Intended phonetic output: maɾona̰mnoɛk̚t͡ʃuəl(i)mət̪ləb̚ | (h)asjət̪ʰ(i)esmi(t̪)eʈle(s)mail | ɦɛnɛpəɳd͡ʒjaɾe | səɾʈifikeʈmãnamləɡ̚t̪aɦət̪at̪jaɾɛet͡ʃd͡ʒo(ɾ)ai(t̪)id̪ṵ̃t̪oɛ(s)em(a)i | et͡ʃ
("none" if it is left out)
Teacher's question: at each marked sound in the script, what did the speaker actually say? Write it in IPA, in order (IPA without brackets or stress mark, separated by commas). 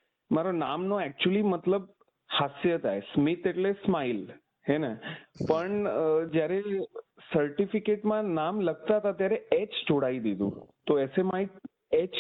i, h, a, t̪, s, ɽ, d̪, s, a